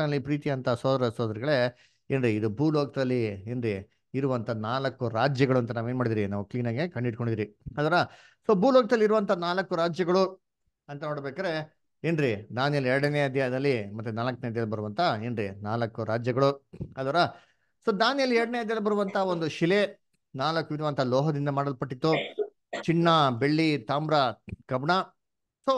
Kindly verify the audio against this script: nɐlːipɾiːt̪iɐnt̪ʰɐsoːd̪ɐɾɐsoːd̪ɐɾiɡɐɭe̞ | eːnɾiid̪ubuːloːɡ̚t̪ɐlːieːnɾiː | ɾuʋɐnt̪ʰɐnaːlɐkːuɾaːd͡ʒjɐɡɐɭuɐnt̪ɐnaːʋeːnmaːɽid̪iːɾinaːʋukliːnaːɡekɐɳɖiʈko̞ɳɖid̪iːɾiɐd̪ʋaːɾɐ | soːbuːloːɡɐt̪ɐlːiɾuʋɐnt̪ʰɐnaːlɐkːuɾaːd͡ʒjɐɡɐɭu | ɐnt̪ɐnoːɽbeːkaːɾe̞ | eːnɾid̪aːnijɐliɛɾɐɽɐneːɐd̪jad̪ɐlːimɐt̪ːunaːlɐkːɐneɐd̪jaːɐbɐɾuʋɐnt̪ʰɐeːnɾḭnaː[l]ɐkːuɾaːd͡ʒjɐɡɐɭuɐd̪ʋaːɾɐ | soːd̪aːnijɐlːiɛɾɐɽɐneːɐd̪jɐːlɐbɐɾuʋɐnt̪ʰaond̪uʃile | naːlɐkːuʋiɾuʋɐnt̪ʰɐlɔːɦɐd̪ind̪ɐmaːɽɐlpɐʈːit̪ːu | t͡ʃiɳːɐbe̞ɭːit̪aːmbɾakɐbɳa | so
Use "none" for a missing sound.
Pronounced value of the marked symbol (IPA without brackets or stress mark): l